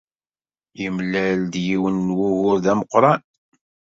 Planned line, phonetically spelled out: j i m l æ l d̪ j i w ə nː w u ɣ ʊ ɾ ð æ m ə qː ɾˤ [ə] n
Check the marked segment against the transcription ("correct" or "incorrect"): incorrect